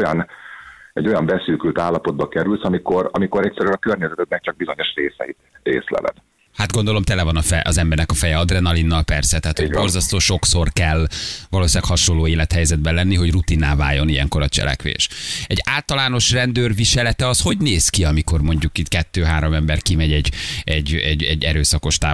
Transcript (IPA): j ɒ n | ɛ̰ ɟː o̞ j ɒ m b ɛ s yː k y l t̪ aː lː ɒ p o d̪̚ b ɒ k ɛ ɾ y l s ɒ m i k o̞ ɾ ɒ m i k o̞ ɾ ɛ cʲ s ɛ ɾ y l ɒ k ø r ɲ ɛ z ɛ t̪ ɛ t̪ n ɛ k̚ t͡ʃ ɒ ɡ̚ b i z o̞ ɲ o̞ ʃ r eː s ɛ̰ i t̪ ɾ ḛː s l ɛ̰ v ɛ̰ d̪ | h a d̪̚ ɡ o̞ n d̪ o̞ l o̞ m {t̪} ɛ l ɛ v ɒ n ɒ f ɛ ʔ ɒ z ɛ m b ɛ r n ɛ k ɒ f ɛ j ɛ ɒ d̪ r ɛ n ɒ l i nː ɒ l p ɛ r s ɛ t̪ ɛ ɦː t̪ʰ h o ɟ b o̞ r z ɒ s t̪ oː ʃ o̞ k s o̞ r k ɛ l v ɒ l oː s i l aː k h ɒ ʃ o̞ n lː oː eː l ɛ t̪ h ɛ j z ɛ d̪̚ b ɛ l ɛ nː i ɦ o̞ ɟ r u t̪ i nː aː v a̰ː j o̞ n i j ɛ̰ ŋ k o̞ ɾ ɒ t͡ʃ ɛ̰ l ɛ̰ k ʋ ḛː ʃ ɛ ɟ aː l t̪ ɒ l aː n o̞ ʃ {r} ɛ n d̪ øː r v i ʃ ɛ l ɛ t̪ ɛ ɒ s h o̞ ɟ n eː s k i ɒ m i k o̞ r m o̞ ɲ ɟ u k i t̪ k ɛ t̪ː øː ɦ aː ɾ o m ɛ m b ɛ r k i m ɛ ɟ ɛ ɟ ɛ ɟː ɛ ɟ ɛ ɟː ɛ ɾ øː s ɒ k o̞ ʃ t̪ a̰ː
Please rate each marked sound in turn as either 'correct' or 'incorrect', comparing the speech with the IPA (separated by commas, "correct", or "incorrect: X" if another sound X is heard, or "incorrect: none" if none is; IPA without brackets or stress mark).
correct, correct